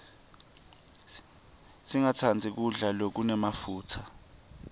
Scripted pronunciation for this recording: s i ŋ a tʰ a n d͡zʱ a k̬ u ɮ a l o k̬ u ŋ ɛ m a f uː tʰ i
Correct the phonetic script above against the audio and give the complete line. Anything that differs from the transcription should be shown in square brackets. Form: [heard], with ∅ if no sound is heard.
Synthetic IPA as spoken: s i ŋ a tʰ a n d͡zʱ [i] k̬ u ɮ a l o k̬ u [n] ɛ m a f uː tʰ [a]